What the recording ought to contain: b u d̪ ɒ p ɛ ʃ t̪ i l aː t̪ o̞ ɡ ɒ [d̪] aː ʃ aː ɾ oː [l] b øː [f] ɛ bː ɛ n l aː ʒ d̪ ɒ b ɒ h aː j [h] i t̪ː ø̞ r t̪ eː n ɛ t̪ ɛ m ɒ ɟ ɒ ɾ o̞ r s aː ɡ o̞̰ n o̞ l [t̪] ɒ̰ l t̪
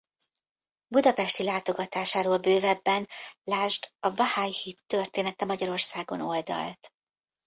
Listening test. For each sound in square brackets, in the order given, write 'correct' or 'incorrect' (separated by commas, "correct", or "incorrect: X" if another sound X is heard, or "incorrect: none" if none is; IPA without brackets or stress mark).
incorrect: t̪, correct, incorrect: v, correct, incorrect: d̪